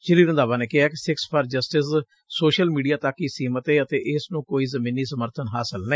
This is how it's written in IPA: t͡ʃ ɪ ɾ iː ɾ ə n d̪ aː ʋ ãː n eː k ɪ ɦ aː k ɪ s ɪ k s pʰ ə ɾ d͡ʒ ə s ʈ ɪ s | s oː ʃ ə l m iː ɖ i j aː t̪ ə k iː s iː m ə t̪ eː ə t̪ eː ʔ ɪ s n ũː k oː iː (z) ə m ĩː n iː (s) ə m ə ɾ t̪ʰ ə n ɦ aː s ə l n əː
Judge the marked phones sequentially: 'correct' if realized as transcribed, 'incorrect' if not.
correct, correct

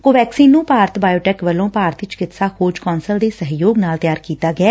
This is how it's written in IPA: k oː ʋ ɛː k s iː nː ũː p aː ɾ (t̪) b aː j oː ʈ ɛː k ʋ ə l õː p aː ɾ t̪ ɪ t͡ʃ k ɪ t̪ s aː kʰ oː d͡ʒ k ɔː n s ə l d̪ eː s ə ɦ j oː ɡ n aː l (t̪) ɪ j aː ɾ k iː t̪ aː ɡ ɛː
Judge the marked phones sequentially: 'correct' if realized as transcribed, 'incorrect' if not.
correct, correct

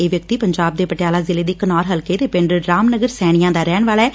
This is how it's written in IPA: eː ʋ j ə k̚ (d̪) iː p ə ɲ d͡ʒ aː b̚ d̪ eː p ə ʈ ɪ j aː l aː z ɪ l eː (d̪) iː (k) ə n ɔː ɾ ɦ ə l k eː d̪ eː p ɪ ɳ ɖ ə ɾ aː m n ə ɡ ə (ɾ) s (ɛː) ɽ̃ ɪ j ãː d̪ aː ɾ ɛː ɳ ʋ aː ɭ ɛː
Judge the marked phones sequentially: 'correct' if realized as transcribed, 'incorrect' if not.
incorrect: t̪, correct, correct, correct, correct

